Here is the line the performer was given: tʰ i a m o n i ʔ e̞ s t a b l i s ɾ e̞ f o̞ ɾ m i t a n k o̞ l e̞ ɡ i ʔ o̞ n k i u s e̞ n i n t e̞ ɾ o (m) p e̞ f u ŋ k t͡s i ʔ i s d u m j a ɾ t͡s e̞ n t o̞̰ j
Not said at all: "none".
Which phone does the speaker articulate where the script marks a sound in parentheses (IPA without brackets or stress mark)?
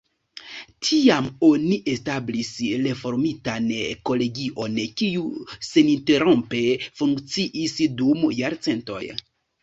m